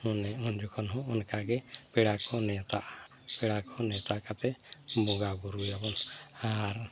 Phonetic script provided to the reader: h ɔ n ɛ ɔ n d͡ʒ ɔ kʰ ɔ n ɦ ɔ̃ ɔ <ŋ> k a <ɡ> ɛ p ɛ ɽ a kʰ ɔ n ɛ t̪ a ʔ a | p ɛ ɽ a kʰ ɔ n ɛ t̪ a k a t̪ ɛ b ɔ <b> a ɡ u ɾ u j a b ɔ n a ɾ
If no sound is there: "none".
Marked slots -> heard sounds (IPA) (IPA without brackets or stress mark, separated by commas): n, ɡ, ɡ